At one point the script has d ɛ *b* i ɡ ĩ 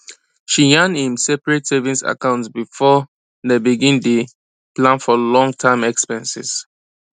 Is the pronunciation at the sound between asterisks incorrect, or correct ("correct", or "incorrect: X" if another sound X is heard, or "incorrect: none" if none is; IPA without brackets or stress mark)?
correct